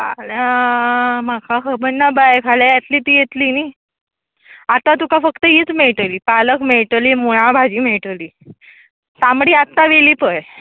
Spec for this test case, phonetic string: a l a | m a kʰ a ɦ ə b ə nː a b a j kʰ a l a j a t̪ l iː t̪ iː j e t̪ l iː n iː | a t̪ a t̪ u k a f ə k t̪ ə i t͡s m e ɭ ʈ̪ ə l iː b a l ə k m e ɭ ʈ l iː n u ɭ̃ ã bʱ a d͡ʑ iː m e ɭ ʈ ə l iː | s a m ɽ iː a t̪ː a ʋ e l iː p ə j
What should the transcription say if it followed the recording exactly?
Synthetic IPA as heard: a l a | m a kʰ a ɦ ə b ə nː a b a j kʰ a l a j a t̪ l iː t̪ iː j e t̪ l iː n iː | a t̪ a t̪ u k a f ə k t̪ ə i t͡s m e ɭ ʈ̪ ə l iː p a l ə k m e ɭ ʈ l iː m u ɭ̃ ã bʱ a d͡ʑ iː m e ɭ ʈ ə l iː | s a m ɽ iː a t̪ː a ʋ e l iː p ə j